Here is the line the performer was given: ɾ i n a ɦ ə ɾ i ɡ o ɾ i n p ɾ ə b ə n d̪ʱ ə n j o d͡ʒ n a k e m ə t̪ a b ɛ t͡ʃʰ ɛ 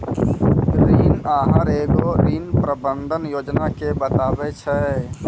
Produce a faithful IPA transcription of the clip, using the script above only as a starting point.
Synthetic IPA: ɾ i n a ɦ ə ɾ e ɡ o ɾ i n p ɾ ə b ə n d̪ʱ ə n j o d͡ʒ n a k e b ə t̪ a b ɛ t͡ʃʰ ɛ